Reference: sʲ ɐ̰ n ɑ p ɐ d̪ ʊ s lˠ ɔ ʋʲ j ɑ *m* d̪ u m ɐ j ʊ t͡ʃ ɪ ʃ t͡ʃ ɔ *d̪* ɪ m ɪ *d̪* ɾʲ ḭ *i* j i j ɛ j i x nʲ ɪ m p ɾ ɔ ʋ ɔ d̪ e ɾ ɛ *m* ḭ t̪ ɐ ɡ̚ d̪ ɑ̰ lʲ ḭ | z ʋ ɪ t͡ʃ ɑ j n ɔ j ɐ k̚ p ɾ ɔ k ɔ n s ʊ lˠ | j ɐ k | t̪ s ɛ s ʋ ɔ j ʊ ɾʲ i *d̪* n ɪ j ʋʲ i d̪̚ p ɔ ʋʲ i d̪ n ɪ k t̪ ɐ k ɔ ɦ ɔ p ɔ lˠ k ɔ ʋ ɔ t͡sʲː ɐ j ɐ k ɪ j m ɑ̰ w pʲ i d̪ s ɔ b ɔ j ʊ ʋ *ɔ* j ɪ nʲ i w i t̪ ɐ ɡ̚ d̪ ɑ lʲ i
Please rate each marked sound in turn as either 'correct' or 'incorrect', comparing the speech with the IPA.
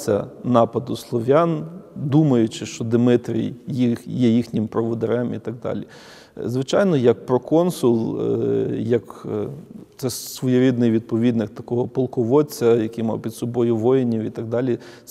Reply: incorrect, correct, incorrect, incorrect, correct, correct, correct

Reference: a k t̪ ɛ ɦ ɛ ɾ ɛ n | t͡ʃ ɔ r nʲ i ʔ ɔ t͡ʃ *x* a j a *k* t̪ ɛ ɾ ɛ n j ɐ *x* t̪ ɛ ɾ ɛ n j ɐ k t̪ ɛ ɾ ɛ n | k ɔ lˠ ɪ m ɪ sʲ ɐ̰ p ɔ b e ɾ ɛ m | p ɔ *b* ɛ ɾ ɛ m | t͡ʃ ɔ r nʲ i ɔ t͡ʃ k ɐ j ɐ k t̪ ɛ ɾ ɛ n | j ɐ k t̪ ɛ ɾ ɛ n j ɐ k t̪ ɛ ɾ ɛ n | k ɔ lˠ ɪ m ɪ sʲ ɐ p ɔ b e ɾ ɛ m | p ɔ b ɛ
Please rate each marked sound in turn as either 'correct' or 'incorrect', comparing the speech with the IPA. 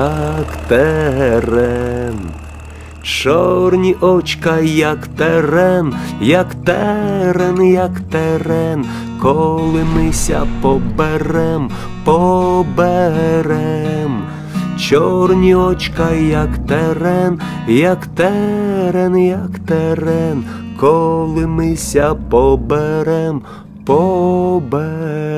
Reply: incorrect, correct, incorrect, correct

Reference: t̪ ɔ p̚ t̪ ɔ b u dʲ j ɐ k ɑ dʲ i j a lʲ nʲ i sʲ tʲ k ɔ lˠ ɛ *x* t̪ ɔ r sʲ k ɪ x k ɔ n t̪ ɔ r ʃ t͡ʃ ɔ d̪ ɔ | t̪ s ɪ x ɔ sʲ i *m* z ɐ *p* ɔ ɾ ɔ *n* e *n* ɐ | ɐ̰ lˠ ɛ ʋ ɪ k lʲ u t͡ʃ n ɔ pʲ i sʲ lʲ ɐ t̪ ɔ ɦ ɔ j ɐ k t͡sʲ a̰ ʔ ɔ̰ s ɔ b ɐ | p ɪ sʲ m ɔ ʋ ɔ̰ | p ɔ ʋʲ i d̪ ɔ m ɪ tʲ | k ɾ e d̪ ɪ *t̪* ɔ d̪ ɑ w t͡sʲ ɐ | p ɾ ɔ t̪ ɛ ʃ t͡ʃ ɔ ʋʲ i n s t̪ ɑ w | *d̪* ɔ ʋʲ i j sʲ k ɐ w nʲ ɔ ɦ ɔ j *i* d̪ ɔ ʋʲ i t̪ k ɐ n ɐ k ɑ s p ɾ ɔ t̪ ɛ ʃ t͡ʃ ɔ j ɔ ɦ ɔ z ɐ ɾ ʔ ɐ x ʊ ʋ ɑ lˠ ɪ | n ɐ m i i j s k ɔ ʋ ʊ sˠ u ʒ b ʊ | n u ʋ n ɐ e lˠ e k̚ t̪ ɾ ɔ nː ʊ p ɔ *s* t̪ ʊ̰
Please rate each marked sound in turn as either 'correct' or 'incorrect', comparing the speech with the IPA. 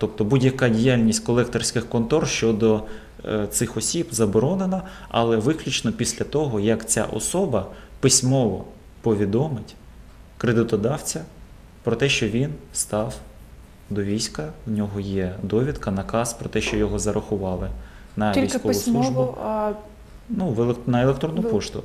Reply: incorrect, incorrect, incorrect, correct, correct, correct, correct, incorrect, incorrect

